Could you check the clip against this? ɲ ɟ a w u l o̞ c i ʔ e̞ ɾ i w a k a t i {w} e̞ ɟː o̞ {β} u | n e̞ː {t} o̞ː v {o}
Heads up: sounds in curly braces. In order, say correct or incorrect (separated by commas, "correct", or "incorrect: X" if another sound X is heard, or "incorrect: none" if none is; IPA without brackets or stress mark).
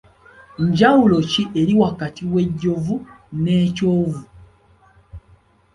correct, incorrect: v, incorrect: c, incorrect: u